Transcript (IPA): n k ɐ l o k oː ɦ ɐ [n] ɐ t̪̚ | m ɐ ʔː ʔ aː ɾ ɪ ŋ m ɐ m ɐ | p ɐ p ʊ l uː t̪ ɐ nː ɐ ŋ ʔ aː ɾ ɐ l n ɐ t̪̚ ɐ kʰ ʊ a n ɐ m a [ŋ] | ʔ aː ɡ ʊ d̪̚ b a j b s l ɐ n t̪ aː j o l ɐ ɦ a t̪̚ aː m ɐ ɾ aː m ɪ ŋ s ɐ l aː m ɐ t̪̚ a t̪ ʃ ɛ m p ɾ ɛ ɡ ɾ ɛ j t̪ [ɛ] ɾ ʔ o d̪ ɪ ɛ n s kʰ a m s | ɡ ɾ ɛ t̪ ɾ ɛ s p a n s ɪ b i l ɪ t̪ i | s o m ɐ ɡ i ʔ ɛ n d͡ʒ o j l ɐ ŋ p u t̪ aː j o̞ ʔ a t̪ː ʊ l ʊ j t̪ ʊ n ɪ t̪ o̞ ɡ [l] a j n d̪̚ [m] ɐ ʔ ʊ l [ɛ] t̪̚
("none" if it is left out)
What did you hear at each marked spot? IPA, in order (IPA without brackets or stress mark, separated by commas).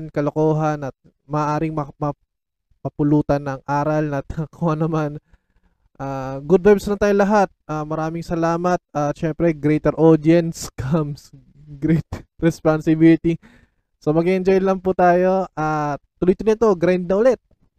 n, n, ɛ, ɾ, n, ɛ